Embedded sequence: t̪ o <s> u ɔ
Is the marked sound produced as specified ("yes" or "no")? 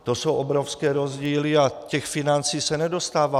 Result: yes